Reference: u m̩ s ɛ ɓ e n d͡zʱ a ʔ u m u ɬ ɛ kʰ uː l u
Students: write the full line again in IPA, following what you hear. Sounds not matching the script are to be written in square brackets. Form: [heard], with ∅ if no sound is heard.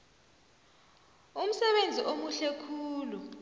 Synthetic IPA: u m̩ s ɛ ɓ e n d͡zʱ [i] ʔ [o] m u ɬ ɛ kʰ uː l u